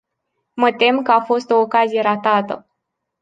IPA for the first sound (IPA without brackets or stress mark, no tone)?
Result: m